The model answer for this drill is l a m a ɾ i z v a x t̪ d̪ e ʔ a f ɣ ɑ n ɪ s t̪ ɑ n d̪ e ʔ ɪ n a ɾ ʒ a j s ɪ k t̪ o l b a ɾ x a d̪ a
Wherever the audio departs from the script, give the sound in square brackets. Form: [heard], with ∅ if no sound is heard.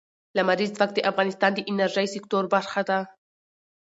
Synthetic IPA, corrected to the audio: l a m a ɾ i z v a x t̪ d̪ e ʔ a f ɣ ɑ n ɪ s t̪ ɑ n d̪ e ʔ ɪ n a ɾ ʒ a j s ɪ k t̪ o [ɾ] b a ɾ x a d̪ a